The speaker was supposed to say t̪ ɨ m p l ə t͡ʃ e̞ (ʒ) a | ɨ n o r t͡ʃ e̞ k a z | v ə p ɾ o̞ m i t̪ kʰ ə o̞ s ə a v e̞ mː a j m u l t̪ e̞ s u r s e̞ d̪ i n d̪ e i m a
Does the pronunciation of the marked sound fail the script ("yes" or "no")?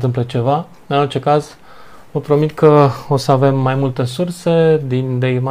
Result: yes